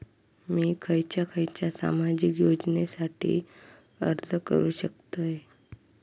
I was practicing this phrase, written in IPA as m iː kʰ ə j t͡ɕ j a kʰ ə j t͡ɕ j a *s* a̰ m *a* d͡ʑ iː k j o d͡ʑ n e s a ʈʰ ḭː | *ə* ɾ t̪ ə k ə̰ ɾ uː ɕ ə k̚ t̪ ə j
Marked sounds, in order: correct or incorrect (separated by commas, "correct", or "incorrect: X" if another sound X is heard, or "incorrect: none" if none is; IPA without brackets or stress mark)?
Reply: correct, correct, correct